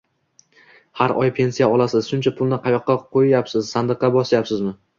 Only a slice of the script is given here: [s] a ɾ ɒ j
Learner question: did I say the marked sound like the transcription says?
no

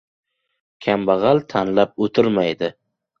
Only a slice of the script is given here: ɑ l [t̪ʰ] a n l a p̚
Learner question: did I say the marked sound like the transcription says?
yes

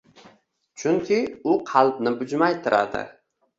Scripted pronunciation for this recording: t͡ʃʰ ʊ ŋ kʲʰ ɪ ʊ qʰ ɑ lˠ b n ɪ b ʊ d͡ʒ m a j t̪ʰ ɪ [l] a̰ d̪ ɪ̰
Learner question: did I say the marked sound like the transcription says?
no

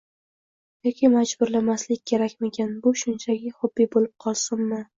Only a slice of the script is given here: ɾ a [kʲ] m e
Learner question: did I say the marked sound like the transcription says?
yes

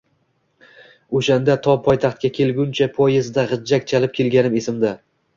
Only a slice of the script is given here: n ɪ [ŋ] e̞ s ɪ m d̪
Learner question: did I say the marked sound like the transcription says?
no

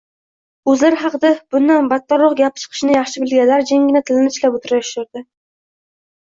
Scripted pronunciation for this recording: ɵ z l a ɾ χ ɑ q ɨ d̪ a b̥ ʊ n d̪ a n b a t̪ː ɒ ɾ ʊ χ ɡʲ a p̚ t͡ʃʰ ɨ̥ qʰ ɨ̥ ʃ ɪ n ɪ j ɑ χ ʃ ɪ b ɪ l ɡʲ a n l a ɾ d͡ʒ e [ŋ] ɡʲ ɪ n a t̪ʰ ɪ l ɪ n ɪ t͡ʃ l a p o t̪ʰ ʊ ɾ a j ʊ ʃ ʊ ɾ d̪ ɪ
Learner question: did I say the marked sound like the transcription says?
yes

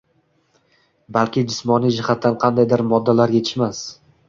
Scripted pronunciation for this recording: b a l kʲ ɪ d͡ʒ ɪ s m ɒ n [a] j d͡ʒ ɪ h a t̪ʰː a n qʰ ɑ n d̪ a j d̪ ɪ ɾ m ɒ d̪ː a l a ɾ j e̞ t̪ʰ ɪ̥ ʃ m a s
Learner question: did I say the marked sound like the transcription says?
no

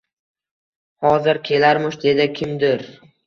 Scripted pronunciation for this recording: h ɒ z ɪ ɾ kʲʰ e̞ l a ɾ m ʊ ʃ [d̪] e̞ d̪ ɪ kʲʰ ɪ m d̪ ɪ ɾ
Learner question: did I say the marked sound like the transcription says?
yes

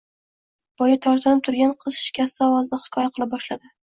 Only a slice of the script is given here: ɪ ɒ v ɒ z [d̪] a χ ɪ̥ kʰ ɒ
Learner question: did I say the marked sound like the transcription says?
yes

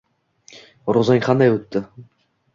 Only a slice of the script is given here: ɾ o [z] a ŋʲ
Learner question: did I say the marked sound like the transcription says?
yes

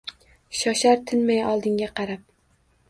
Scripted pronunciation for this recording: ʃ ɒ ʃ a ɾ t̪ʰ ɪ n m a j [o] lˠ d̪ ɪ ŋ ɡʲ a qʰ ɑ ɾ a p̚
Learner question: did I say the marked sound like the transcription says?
no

